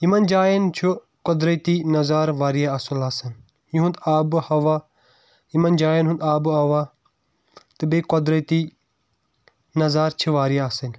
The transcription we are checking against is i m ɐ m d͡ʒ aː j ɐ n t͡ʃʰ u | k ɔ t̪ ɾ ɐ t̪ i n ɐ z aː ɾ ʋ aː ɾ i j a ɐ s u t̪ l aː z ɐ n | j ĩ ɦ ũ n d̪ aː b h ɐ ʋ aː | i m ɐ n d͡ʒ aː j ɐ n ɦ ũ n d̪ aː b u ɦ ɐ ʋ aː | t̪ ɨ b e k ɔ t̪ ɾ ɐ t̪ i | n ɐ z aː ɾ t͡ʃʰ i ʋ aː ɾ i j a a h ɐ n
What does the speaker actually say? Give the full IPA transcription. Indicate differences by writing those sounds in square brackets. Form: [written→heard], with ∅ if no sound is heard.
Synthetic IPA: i m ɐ [m→n] d͡ʒ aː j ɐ n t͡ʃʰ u | k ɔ [t̪→d̪] ɾ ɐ t̪ i n ɐ z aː ɾ ʋ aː ɾ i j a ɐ s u [t̪→∅] l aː [z→s] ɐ n | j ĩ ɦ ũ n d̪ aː b h ɐ ʋ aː | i m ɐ n d͡ʒ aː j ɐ n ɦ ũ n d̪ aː b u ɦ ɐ ʋ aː | t̪ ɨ b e k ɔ [t̪→d̪] ɾ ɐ t̪ i | n ɐ z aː ɾ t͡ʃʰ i ʋ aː ɾ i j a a [h→s] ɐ n